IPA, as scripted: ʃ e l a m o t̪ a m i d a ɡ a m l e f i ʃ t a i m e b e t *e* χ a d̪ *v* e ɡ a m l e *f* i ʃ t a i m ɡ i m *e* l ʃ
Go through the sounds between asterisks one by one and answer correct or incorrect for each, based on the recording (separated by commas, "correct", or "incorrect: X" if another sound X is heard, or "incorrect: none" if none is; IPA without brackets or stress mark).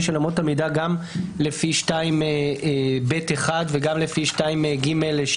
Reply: correct, correct, correct, correct